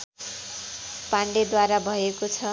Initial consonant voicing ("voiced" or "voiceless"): voiceless